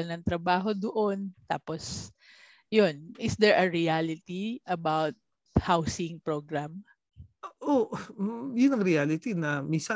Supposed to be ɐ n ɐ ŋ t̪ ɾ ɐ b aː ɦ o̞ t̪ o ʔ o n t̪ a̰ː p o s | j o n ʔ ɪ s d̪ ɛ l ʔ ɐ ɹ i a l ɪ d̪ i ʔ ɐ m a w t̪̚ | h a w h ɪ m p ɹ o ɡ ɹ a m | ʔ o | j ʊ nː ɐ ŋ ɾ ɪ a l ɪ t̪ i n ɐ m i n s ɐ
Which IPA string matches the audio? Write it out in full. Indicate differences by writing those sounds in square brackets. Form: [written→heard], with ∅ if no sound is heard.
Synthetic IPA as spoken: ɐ n ɐ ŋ t̪ ɾ ɐ b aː ɦ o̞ [t̪→d̪] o ʔ o n t̪ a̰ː p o s | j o n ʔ ɪ s d̪ ɛ [l→ɹ] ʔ ɐ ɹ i a l ɪ [d̪→t̪] i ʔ ɐ [m→b] a w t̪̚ | h a w [h→s] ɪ [m→ŋ] p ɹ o ɡ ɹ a m | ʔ o | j ʊ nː ɐ ŋ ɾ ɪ a l ɪ t̪ i n ɐ m i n s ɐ